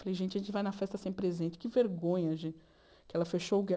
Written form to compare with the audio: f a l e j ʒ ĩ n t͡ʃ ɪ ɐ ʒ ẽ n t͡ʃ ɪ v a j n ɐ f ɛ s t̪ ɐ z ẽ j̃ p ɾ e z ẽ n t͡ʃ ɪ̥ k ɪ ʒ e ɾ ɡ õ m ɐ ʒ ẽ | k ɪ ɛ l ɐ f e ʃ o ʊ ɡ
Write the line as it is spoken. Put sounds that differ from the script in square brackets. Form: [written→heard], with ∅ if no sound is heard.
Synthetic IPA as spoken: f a l e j ʒ [ĩ→ẽ] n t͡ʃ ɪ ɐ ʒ ẽ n t͡ʃ ɪ v a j n ɐ f ɛ s t̪ ɐ [z→s] ẽ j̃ p ɾ e z ẽ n t͡ʃ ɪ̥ k ɪ [ʒ→v] e ɾ ɡ õ [m→ɲ] ɐ ʒ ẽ | k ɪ ɛ l ɐ f e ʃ o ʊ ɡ